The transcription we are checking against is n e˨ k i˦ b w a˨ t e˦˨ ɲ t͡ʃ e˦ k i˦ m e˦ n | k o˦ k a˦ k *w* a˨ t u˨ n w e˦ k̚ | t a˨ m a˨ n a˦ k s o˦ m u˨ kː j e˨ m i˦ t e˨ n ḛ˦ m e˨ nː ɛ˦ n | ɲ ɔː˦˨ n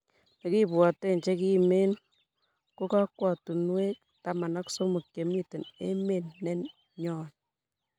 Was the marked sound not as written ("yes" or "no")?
no